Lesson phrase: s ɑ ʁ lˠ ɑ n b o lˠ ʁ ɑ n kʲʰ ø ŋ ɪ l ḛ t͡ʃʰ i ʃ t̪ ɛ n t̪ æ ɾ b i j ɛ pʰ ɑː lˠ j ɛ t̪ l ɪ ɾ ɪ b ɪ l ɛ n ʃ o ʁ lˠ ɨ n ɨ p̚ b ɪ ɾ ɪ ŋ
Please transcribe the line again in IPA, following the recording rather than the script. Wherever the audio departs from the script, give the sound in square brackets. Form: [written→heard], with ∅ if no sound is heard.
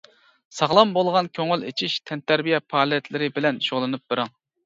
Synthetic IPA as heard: s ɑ ʁ lˠ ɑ [n→m] b o lˠ ʁ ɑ n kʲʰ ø ŋ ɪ l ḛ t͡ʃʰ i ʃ [t̪→t̪ʰ] ɛ n t̪ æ ɾ b i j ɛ pʰ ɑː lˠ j ɛ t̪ l ɪ ɾ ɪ b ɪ l ɛ n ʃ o ʁ lˠ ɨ n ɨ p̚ b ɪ ɾ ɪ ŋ